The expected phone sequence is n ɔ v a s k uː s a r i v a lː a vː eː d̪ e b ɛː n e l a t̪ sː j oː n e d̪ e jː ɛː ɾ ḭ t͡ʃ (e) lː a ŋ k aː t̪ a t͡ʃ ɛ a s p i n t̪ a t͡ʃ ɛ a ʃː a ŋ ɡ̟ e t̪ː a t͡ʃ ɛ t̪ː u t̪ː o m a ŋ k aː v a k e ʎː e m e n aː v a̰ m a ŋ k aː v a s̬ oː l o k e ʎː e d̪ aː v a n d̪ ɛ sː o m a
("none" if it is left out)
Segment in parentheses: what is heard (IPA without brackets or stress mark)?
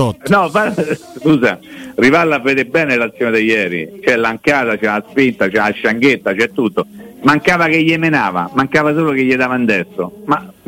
ɛ